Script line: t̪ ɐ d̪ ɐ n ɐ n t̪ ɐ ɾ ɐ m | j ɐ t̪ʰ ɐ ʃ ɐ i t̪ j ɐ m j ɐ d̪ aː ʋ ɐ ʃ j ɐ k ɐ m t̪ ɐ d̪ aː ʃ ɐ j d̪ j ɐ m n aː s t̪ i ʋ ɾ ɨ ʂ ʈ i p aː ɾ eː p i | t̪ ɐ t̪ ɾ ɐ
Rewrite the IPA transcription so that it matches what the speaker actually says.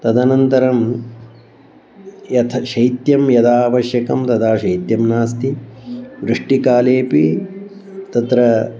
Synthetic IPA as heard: t̪ ɐ d̪ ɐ n ɐ n t̪ ɐ ɾ ɐ m | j ɐ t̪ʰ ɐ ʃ ɐ j t̪ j ɐ m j ɐ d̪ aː ʋ ɐ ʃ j ɐ k ɐ m t̪ ɐ d̪ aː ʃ ɐ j t̪ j ɐ m n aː s t̪ i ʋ ɾ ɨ ʂ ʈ i k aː l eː p i | t̪ ɐ t̪ ɾ ɐ